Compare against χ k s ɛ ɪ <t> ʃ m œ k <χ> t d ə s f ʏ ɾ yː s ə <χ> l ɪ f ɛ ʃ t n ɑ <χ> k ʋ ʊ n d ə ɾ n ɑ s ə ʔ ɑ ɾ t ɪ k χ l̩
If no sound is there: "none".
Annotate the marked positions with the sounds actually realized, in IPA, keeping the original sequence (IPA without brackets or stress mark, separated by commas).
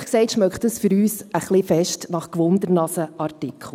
t, χ, χ, χ